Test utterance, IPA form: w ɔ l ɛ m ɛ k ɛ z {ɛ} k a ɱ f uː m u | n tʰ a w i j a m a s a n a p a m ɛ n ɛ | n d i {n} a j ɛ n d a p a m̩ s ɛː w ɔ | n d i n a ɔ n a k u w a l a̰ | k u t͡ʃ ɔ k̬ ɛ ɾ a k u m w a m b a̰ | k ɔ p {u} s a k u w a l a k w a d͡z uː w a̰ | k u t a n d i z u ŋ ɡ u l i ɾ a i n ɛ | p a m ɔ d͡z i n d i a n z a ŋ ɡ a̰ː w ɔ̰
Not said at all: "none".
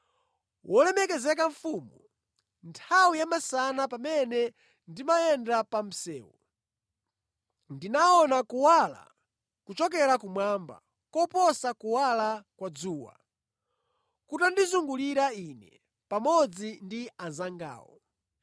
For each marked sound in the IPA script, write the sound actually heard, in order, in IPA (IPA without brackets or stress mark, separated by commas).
ɛ, m, ɔ